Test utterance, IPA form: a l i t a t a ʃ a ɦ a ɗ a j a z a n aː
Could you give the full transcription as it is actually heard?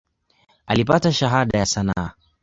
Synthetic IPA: a l i p a t a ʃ a ɦ a ɗ a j a s a n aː